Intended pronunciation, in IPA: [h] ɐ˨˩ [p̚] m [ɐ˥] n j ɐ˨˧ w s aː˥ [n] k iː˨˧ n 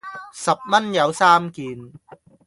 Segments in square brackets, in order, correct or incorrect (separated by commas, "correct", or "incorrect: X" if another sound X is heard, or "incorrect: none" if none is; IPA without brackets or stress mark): incorrect: s, correct, correct, incorrect: m